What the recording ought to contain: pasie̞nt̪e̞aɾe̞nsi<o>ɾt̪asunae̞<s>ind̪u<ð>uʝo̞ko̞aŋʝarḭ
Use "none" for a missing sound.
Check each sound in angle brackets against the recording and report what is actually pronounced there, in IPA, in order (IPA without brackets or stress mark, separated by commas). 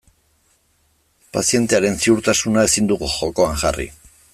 u, s, ɣ